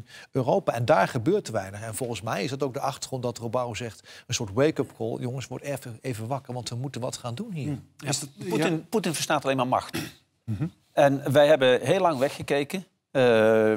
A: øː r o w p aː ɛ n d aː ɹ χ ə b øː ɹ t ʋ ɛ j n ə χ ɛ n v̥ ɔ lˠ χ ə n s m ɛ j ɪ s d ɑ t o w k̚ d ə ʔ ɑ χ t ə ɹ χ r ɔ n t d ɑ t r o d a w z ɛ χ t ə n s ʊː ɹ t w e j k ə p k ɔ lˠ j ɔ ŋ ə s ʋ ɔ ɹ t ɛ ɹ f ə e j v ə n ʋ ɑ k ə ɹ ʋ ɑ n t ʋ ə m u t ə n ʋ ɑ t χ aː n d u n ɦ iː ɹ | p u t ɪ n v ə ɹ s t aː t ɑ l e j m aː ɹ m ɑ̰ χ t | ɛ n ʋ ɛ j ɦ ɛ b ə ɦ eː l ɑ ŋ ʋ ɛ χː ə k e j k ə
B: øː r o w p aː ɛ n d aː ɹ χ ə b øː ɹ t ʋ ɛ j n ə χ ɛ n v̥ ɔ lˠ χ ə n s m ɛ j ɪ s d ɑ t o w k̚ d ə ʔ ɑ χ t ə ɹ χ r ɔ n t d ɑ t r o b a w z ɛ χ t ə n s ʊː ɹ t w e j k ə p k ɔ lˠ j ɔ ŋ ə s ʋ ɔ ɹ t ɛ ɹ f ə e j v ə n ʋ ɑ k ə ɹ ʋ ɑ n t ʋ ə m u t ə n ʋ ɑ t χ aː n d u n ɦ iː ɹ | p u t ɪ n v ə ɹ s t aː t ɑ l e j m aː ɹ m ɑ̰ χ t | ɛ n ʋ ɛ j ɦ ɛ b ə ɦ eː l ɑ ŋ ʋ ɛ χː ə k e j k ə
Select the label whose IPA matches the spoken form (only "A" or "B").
B